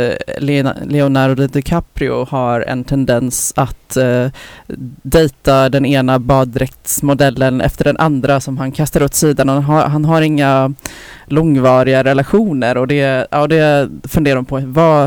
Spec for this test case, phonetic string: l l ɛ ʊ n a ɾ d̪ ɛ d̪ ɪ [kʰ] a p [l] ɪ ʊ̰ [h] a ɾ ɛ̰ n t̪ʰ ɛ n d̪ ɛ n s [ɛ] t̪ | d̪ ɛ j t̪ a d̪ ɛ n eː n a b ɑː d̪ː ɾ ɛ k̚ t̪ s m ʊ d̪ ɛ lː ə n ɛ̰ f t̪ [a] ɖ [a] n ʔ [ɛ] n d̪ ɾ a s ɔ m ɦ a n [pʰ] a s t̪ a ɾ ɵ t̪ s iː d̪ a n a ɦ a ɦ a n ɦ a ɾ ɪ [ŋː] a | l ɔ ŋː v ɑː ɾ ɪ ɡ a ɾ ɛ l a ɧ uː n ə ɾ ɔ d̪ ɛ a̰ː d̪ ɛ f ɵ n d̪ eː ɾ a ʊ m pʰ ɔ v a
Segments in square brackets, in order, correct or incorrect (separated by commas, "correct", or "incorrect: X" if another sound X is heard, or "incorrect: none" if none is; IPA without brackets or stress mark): correct, incorrect: ɾ, correct, incorrect: a, incorrect: ə, incorrect: ɛ, incorrect: a, incorrect: kʰ, correct